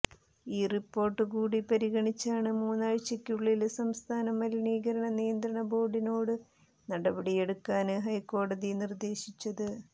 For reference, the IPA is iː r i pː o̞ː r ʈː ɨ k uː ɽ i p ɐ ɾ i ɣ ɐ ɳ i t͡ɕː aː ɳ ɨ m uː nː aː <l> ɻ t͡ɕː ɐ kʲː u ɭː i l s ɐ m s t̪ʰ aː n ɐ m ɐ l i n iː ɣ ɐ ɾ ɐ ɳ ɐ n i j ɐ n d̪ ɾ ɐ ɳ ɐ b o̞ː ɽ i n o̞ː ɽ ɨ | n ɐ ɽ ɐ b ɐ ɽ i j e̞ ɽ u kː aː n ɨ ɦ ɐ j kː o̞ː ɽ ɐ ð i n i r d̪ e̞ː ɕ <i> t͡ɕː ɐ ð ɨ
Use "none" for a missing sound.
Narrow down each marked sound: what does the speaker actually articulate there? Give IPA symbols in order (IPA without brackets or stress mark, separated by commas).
none, i